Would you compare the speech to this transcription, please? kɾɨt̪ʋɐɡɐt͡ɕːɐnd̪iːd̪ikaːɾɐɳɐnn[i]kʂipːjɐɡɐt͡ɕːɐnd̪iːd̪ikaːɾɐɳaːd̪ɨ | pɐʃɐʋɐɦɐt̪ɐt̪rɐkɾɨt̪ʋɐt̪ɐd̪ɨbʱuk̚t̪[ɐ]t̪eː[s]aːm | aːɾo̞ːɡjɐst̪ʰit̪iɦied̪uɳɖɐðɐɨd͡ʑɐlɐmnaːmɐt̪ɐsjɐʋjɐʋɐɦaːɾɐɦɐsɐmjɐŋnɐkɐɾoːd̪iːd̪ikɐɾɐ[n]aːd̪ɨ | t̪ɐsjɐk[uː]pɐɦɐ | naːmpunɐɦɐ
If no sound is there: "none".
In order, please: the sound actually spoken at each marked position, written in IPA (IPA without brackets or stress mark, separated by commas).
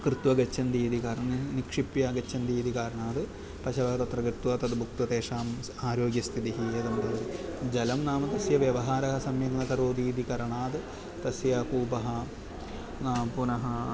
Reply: i, ɐ, ʂ, ɳ, uː